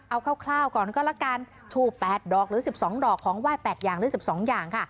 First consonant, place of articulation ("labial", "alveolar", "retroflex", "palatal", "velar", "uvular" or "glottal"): glottal